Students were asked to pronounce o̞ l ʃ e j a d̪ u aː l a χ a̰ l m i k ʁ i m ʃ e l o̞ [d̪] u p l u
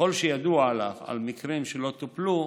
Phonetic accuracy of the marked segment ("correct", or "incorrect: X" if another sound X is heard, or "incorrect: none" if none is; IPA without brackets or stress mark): incorrect: t̪